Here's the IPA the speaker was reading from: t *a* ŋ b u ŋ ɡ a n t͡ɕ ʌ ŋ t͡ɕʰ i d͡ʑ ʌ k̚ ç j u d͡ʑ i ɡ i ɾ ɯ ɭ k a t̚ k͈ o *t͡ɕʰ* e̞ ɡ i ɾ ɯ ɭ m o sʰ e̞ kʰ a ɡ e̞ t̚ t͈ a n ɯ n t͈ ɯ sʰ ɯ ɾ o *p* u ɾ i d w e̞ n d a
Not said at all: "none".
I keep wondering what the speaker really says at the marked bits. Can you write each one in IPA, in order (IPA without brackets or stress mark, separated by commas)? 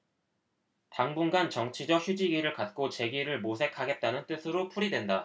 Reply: a, t͡ɕ, pʰ